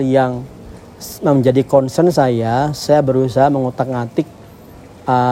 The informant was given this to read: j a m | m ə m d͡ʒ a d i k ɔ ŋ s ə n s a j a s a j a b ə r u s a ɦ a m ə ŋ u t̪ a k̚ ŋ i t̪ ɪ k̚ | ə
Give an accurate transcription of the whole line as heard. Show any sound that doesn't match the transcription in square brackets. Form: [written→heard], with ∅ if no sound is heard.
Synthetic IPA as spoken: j a [m→ŋ] | m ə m d͡ʒ a d i k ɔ [ŋ→n] s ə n s a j a s a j a b ə [r→ɾ] u s a ɦ a m ə ŋ u t̪ a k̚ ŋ [i→a] t̪ ɪ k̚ | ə